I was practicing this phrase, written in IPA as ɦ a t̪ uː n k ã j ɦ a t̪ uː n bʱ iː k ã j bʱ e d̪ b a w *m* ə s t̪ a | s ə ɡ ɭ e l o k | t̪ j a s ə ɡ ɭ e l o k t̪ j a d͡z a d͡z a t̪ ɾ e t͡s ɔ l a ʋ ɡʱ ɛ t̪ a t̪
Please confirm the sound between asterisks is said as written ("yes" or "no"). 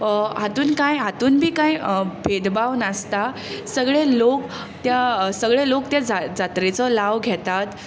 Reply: no